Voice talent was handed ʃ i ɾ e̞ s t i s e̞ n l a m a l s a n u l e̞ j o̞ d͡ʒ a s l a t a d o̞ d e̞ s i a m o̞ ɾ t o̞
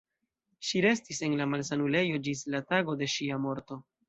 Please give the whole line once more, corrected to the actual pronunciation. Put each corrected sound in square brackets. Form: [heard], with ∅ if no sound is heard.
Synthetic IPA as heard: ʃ i ɾ e̞ s t i s e̞ n l a m a l s a n u l e̞ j o̞ d͡ʒ [i] s l a t a [ɡ] o̞ d e̞ [ʃ] i a m o̞ ɾ t o̞